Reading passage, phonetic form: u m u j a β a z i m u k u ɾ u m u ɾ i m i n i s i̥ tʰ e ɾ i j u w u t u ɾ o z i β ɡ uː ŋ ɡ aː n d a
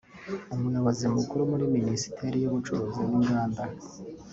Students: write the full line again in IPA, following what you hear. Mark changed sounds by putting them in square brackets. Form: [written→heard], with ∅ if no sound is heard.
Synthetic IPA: u m u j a β a z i m u k u ɾ u m u ɾ i m i n i s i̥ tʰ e ɾ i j u [w→β] u [t→t͡ʃ] u ɾ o z i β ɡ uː ŋ ɡ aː n d a